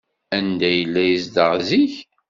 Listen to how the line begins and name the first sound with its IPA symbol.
æ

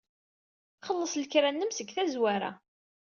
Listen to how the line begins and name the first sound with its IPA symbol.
χ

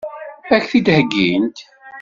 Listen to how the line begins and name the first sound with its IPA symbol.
æ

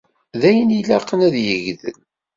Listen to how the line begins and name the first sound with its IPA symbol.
ð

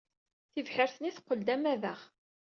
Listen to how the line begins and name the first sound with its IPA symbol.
θ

